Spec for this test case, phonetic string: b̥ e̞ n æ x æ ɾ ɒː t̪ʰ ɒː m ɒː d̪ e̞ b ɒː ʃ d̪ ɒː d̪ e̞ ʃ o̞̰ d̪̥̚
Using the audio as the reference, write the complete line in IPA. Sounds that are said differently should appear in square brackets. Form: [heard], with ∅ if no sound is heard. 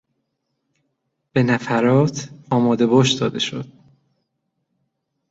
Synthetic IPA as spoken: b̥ e̞ n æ [f] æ ɾ ɒː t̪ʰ ɒː m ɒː d̪ e̞ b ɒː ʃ d̪ ɒː d̪ e̞ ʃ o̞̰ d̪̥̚

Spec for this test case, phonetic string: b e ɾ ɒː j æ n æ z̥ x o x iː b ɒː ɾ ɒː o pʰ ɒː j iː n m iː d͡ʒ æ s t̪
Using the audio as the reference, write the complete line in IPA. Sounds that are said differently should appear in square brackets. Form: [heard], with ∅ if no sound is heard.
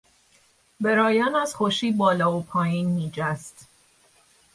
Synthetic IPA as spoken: b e ɾ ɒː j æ n æ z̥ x o [ʃ] iː b ɒː [l] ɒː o pʰ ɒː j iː n m iː d͡ʒ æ s t̪

